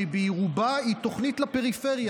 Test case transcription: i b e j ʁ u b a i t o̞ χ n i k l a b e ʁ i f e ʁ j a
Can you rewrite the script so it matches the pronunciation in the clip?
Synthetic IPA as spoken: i b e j ʁ u b a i t o̞ χ n i t l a p e ʁ i f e ʁ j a